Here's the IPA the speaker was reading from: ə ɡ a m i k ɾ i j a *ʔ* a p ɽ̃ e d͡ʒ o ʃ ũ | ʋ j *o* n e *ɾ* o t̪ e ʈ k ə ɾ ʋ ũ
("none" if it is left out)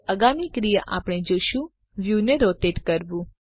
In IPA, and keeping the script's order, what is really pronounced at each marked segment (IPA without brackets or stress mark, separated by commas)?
ʔ, u, ɾ